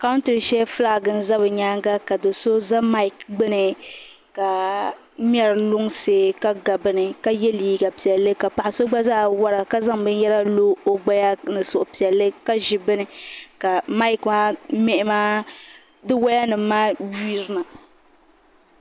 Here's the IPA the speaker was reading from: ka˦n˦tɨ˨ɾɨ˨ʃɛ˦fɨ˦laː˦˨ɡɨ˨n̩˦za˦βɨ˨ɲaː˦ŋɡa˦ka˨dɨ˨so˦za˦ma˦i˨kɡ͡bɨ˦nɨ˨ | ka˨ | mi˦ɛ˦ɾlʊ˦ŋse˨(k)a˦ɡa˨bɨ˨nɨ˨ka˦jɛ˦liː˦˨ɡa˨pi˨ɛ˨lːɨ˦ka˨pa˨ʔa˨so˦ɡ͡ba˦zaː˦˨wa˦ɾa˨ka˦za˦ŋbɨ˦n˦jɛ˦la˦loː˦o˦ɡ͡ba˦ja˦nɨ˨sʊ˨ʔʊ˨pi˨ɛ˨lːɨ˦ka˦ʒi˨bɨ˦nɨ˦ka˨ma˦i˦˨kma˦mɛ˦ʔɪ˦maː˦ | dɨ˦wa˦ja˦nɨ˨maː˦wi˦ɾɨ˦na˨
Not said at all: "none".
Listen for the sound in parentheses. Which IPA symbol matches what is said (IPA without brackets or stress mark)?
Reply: k